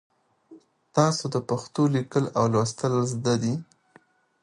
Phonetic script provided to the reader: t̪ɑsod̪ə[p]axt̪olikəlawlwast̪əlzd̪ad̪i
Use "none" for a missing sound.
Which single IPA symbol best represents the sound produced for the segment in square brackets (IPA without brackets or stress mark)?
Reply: p